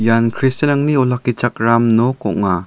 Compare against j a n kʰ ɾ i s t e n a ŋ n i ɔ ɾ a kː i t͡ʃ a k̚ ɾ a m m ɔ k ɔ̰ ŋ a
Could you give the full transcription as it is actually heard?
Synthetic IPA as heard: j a n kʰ ɾ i s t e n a ŋ n i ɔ l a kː i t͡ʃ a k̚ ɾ a m n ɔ k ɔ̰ ŋ a